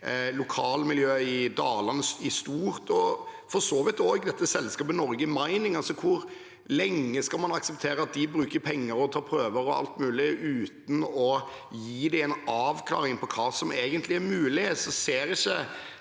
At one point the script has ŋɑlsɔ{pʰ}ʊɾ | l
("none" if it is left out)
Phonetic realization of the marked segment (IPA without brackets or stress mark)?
kʰ